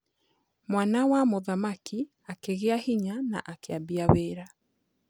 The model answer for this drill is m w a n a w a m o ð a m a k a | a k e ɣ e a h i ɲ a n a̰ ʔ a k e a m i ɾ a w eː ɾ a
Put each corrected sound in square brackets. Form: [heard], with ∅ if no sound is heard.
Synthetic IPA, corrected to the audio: m w a n a w a m o ð a m a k [i] | a k e ɣ e a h i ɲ a n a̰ ʔ a k e a [b] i [∅] a w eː ɾ a